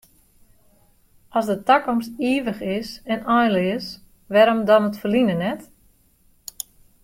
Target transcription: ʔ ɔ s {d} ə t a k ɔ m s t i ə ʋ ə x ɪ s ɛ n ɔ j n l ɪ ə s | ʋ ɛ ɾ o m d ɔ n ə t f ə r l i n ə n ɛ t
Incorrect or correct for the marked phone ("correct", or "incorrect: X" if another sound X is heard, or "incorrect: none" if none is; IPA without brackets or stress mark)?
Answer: correct